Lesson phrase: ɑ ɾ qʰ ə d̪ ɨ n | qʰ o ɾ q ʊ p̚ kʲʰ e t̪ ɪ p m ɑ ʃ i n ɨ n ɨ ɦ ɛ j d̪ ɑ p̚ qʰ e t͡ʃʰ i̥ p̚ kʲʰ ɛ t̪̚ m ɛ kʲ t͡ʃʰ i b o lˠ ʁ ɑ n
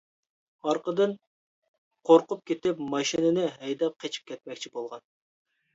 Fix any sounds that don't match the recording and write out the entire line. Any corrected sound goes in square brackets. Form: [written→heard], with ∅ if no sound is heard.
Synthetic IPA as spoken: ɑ ɾ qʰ ə d̪ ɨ n | qʰ o ɾ q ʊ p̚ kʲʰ e t̪ ɪ p m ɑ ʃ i n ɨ n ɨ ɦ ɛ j d̪ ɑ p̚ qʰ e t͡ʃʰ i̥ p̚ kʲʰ ɛ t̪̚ m ɛ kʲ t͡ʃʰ i b o lˠ ʁ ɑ n